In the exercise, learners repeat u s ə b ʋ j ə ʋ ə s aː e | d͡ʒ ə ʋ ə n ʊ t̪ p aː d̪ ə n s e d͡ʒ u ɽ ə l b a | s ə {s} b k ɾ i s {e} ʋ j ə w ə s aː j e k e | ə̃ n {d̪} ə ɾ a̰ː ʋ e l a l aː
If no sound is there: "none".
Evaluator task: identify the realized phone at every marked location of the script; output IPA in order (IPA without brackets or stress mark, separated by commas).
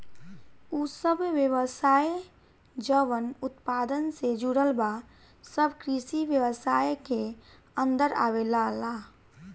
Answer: none, i, d̪